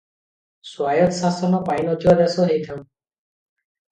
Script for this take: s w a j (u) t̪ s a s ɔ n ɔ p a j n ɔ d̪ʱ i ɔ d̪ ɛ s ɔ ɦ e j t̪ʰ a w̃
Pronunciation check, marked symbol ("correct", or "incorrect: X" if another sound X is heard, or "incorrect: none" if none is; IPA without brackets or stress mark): incorrect: ɔ